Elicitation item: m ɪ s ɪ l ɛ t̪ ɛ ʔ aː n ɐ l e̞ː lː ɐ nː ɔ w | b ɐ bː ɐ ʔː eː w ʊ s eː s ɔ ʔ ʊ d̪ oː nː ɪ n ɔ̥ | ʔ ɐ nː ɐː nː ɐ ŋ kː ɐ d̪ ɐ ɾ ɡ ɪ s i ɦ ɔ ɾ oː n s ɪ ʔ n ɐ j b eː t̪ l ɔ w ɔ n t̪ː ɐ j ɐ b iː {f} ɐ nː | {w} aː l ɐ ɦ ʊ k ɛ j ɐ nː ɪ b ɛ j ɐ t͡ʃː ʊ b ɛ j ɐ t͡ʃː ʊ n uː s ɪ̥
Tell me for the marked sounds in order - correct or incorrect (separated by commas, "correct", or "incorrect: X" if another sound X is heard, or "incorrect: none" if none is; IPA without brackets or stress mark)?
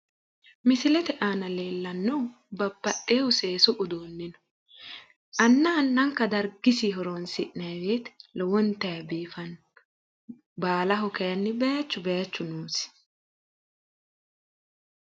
correct, incorrect: b